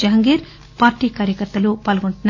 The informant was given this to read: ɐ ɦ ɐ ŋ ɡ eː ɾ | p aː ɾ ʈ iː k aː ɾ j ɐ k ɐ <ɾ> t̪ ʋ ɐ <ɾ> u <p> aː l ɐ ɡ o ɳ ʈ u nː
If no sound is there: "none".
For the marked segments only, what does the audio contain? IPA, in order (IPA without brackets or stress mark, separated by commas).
ɾ, l, p